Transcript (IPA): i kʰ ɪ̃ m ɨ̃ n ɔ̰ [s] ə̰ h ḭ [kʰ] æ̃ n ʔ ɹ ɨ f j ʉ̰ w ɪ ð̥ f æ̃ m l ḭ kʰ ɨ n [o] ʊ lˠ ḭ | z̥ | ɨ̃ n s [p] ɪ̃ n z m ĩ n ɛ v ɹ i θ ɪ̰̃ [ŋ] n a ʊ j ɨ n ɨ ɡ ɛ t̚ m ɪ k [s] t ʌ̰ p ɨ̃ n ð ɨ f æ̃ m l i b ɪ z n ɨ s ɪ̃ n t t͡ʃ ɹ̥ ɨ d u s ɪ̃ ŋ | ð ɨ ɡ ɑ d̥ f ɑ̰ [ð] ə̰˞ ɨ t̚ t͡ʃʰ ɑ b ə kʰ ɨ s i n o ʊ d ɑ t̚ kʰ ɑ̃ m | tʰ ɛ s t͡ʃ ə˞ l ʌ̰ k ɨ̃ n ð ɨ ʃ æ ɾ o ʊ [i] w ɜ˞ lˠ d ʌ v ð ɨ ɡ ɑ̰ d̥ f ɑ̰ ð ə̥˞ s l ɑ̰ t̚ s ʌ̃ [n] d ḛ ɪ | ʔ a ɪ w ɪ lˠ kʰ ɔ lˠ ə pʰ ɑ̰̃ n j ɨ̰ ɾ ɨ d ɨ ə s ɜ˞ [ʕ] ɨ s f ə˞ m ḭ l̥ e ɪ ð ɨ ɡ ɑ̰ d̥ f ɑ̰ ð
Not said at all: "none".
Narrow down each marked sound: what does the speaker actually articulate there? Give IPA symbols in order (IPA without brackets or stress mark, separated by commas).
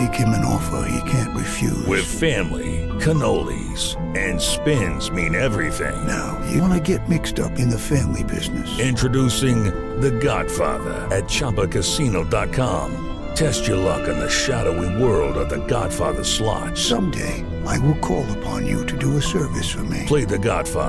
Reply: f, kʰ, o, p, ŋ, s, ð, i, m, v